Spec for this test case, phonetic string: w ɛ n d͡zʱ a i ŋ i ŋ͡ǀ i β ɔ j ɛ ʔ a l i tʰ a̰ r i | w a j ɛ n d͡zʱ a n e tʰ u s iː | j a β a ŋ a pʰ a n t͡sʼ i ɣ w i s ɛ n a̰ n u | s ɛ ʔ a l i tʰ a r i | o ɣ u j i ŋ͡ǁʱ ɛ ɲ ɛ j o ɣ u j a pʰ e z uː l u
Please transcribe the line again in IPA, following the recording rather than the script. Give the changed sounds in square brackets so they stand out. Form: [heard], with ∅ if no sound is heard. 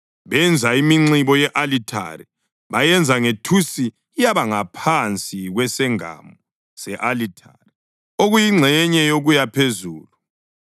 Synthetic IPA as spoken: [β] ɛ n d͡zʱ a i [m] i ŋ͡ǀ i β ɔ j ɛ ʔ a l i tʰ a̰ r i | [β] a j ɛ n d͡zʱ a [ŋ] e tʰ u s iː | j a β a ŋ a pʰ a n t͡sʼ i ɣ w [ɛ] s ɛ [ŋ] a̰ [m] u | s ɛ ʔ a l i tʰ a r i | o ɣ u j i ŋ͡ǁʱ ɛ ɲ ɛ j o ɣ u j a pʰ e z uː l u